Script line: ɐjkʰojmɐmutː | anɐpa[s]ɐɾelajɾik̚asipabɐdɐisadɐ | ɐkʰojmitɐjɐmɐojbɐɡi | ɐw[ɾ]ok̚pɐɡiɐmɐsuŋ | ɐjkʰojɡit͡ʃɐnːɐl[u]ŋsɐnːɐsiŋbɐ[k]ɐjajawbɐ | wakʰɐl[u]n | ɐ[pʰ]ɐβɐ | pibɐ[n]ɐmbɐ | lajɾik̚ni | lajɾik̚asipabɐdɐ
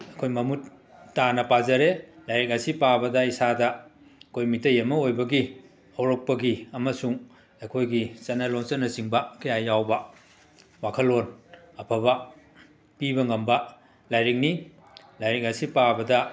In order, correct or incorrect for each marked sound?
incorrect: z, correct, incorrect: o, correct, incorrect: o, correct, incorrect: ŋ

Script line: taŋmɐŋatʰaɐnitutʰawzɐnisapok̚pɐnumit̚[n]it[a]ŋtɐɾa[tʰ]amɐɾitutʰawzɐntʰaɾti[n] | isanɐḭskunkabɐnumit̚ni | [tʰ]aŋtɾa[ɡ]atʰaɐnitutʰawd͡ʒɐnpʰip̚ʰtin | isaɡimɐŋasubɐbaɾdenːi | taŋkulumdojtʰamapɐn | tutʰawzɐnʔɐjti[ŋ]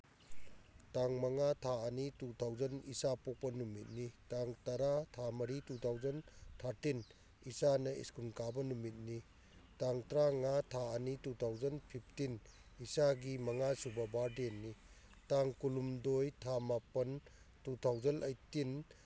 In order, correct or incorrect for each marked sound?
correct, correct, correct, correct, incorrect: t, incorrect: ŋ, incorrect: n

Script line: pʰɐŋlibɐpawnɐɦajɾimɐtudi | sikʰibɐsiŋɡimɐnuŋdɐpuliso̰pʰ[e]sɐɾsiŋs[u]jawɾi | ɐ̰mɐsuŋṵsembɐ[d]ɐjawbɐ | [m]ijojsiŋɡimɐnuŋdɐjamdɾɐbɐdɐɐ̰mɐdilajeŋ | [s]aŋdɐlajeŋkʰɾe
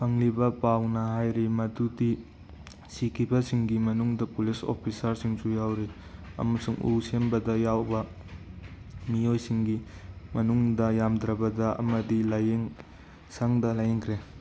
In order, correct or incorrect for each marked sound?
incorrect: i, correct, correct, correct, correct

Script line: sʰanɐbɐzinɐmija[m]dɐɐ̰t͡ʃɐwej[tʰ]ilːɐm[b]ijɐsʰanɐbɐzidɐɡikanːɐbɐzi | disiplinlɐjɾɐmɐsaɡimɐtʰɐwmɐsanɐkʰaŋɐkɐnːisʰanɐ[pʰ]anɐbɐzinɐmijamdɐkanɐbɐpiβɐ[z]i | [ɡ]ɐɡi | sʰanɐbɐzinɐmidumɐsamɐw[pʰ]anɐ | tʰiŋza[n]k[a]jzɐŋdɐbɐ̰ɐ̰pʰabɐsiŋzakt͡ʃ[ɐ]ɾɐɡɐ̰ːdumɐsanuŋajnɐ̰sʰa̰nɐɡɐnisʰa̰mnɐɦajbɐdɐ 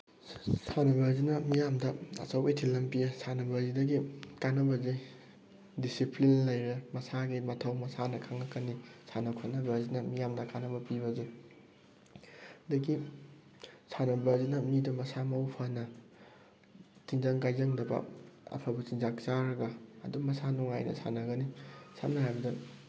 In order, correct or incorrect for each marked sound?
correct, correct, incorrect: p, incorrect: kʰ, correct, incorrect: d, correct, incorrect: ŋ, correct, incorrect: a

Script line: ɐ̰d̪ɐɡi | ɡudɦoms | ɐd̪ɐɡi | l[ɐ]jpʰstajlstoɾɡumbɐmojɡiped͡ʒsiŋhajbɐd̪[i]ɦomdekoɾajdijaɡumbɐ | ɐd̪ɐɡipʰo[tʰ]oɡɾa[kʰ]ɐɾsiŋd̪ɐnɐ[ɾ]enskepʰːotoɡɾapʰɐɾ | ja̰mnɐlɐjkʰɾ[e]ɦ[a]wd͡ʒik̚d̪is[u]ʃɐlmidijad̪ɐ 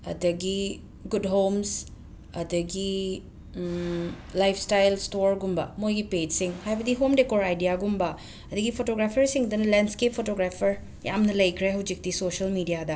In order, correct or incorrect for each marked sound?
incorrect: a, correct, incorrect: t, incorrect: pʰ, incorrect: l, correct, incorrect: ɐ, incorrect: o

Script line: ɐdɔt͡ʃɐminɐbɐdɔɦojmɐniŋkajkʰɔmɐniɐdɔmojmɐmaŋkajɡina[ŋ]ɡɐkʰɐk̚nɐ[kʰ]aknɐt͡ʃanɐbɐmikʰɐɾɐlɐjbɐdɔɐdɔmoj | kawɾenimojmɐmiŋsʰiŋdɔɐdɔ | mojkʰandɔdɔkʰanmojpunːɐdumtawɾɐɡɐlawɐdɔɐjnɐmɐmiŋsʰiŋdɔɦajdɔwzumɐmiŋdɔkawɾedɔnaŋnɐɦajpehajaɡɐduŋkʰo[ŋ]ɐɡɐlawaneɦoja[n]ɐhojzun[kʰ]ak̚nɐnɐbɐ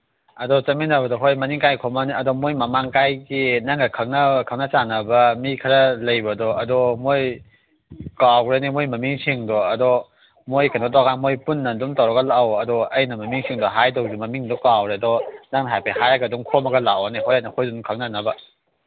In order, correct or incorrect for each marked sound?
correct, correct, incorrect: m, correct, correct

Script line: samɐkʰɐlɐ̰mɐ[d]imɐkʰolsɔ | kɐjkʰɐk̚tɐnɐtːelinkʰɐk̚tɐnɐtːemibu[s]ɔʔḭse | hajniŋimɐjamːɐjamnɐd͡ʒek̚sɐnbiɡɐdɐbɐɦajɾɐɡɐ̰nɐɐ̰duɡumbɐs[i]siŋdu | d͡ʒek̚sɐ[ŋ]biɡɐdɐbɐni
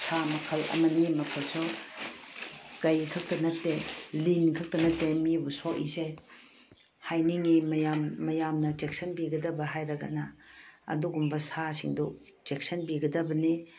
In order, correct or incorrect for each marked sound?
incorrect: n, correct, incorrect: a, incorrect: n

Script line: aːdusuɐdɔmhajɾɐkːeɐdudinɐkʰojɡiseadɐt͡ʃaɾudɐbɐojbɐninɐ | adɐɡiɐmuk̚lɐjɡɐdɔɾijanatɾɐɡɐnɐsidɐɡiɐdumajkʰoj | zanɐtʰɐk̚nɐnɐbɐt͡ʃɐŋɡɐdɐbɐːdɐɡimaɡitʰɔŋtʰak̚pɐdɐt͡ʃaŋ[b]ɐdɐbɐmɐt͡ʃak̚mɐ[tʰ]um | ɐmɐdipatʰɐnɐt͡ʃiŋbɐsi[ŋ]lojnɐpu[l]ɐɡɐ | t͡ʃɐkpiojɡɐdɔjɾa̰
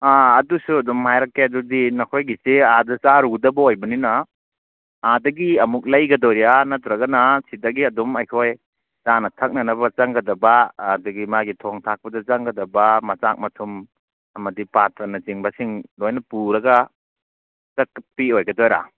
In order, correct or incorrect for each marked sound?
incorrect: ɡ, correct, correct, incorrect: ɾ

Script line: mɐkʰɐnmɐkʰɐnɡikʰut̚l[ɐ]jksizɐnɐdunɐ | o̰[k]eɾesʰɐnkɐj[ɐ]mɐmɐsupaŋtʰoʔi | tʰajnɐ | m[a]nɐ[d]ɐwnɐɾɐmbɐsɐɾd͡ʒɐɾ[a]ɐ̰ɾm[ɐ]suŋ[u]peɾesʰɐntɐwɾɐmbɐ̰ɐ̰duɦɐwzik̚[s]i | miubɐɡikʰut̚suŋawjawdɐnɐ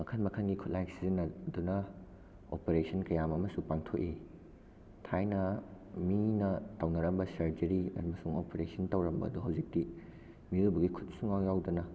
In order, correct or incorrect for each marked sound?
incorrect: a, incorrect: p, incorrect: a, incorrect: i, incorrect: t, incorrect: i, correct, incorrect: o, incorrect: t

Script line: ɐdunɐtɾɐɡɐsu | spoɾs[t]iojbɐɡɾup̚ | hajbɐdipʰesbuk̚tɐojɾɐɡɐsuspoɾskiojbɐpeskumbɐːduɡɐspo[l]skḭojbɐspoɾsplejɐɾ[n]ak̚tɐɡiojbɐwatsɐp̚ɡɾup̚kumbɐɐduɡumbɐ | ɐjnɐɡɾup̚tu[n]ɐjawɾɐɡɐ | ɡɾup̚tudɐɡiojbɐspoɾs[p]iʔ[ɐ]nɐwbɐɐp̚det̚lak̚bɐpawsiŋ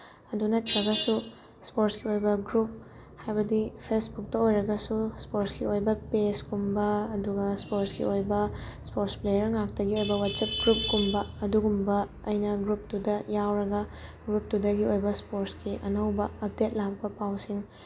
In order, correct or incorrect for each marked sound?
incorrect: k, incorrect: ɾ, incorrect: ŋ, incorrect: d, incorrect: k, correct

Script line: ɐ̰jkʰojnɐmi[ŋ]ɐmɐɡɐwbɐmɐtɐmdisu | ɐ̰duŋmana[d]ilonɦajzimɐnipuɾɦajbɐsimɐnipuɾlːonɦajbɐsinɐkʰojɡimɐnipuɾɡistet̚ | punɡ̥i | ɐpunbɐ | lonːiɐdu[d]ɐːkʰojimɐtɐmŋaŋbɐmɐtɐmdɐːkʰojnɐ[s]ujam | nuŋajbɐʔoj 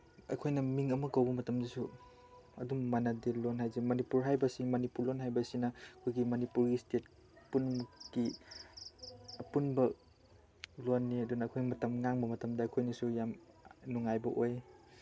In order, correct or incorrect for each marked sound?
correct, correct, incorrect: n, correct

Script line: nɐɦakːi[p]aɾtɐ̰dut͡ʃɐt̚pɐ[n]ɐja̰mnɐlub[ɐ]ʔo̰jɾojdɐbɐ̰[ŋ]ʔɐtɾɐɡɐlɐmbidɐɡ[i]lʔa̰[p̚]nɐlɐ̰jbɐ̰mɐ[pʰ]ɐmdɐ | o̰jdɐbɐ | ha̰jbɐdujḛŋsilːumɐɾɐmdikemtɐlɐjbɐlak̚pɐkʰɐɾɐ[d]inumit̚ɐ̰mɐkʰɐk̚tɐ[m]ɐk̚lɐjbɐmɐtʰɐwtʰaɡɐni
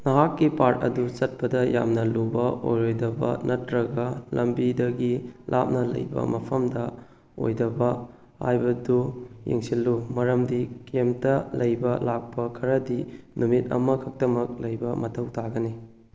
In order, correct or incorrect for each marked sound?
correct, incorrect: d, correct, incorrect: n, correct, correct, correct, correct, correct

